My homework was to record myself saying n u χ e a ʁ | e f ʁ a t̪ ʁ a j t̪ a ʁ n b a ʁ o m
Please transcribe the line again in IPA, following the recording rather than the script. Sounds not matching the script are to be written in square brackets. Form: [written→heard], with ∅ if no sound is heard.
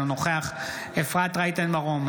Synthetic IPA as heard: n [u→o] χ e a [ʁ→χ] | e f ʁ a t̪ ʁ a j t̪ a [ʁ→∅] n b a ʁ o m